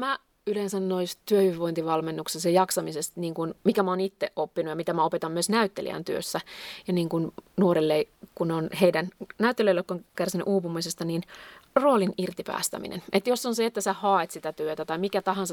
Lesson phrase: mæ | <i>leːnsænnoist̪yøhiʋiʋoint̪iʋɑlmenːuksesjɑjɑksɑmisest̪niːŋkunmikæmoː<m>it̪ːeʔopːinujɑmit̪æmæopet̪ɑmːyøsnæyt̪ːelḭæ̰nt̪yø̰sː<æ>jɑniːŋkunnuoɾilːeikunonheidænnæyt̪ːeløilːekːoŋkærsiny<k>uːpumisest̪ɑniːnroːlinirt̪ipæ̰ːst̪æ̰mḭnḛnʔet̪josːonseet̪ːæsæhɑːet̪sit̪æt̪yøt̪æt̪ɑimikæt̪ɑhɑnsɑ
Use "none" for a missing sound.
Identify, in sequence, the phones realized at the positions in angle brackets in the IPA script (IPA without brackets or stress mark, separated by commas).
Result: y, n, æ, ʔ